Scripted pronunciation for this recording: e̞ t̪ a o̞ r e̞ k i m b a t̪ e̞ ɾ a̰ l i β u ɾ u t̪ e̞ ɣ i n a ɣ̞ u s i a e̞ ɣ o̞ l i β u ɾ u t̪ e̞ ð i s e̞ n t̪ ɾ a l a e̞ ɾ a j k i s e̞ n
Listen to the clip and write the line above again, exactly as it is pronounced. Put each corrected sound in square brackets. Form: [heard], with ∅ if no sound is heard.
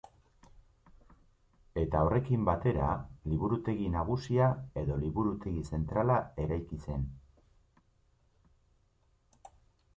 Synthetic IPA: e̞ t̪ a o̞ r e̞ k i m b a t̪ e̞ ɾ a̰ l i β u ɾ u t̪ e̞ ɣ i n a ɣ̞ u s i a e̞ [ð] o̞ l i β u ɾ u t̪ e̞ [ɣ] i s e̞ n t̪ ɾ a l a e̞ ɾ a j k i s e̞ n